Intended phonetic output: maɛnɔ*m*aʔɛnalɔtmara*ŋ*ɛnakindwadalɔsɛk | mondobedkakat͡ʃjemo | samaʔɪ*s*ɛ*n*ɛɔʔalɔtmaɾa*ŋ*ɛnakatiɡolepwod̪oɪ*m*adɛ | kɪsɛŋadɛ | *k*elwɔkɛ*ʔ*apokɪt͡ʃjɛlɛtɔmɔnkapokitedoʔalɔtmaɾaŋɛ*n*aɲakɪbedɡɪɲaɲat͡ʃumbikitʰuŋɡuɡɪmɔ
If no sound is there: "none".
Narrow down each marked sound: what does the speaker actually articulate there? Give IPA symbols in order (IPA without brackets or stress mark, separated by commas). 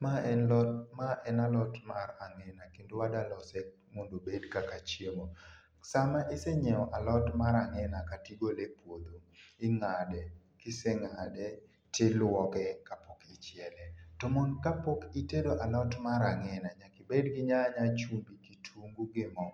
m, ŋ, s, ɲ, ŋ, ŋ, t, k, n